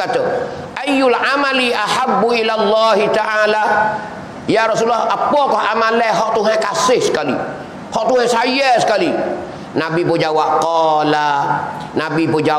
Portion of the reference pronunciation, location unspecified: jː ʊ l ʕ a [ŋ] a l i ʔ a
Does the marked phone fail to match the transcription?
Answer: yes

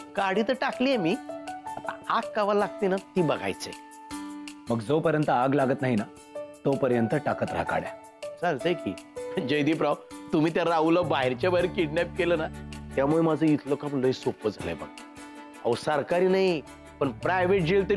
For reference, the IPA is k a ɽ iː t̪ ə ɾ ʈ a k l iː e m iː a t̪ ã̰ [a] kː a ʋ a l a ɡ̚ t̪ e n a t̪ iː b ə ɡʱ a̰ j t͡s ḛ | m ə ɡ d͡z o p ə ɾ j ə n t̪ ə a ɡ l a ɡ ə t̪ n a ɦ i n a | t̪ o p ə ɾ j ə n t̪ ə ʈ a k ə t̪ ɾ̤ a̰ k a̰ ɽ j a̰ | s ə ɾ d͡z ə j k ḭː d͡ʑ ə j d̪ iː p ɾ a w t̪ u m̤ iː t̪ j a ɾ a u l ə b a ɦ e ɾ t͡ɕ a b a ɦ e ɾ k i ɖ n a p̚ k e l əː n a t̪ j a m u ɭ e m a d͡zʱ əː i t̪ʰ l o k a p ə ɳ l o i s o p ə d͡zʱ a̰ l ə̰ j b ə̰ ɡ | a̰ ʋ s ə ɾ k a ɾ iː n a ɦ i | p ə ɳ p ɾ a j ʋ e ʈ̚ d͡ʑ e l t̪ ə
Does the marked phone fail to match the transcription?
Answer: no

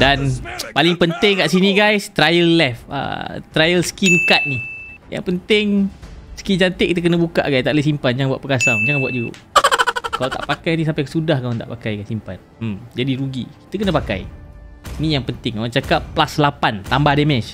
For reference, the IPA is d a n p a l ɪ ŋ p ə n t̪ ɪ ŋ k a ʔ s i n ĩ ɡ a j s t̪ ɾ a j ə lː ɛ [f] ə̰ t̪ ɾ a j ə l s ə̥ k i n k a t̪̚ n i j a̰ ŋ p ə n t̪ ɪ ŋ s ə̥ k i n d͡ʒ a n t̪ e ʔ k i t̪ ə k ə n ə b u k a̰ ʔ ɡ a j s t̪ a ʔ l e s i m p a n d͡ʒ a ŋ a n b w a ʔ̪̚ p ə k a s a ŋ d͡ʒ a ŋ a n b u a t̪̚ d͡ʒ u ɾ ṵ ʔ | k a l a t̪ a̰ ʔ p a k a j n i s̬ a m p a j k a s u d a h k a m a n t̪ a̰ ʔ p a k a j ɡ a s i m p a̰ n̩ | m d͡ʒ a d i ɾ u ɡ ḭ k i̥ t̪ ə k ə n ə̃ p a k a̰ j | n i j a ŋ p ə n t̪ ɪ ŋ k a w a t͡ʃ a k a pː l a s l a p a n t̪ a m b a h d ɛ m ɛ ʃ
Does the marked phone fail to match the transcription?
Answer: no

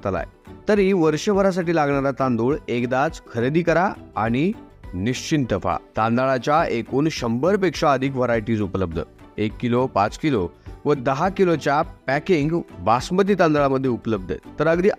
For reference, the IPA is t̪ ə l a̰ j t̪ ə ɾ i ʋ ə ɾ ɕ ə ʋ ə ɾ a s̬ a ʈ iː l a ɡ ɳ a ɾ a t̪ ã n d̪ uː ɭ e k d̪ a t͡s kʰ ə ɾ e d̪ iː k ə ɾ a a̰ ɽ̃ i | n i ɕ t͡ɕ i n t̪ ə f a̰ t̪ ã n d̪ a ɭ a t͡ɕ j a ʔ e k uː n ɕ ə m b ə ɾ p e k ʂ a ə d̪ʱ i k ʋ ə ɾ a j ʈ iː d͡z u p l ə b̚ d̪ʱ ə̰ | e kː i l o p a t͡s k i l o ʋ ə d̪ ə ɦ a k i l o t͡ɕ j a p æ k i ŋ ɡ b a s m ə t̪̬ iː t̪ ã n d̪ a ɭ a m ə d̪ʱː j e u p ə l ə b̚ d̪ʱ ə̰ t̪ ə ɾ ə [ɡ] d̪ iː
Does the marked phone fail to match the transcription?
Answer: no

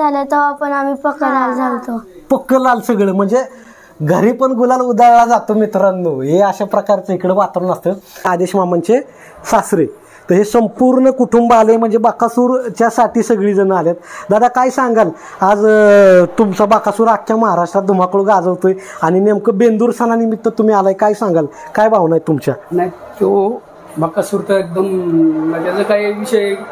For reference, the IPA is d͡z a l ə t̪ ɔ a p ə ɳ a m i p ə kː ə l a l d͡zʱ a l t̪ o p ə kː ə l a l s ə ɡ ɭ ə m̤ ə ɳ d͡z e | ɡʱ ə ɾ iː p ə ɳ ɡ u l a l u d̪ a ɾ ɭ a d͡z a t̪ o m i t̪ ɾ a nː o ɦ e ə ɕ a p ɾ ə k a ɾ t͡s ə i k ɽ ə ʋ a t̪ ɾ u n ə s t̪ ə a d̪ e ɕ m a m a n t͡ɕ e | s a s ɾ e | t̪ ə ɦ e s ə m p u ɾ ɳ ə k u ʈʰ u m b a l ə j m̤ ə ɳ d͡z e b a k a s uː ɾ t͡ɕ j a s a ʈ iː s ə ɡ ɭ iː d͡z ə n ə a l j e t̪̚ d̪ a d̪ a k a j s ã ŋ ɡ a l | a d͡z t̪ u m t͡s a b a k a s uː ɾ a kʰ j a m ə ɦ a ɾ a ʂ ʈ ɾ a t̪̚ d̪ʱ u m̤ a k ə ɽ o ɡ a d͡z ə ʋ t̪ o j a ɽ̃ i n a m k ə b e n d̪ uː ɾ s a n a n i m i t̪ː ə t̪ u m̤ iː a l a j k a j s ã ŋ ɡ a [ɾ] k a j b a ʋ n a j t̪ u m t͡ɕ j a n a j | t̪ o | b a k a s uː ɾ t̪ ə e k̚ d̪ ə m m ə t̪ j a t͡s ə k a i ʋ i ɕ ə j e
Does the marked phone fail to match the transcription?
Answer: yes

